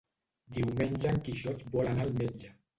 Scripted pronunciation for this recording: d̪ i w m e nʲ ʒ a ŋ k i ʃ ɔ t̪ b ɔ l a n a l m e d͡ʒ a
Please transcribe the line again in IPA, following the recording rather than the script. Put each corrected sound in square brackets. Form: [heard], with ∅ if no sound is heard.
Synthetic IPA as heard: d̪ i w m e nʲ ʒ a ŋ k i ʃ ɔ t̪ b ɔ l a n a l m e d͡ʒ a